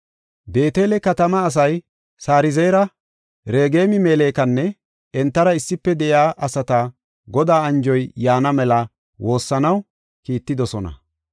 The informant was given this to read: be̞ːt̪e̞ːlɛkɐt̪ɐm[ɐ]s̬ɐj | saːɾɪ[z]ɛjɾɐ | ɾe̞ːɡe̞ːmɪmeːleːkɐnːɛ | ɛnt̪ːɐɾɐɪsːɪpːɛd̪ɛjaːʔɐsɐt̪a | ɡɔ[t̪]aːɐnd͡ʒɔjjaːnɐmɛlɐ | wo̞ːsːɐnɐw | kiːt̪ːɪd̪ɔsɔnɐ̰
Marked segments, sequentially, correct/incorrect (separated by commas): incorrect, correct, incorrect